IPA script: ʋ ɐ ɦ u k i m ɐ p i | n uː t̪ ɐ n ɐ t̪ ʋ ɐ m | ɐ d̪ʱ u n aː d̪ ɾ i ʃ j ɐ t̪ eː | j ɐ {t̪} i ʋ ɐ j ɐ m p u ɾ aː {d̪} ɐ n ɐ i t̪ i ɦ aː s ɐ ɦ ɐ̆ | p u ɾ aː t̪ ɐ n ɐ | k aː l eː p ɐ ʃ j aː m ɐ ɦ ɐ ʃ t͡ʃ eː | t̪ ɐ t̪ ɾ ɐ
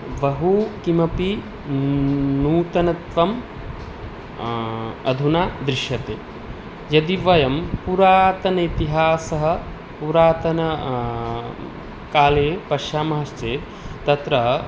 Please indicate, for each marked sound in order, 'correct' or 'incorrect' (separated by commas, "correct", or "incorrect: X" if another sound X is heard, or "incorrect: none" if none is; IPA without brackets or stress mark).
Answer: incorrect: d̪, incorrect: t̪